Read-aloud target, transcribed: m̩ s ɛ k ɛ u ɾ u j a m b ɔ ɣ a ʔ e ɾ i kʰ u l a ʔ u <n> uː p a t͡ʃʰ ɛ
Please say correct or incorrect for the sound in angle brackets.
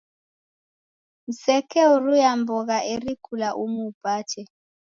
incorrect